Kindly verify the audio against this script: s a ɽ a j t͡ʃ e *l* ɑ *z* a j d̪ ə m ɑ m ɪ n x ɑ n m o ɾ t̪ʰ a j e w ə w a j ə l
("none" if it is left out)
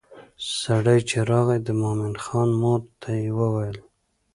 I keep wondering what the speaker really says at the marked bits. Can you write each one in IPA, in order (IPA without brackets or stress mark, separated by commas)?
ɾ, ɣ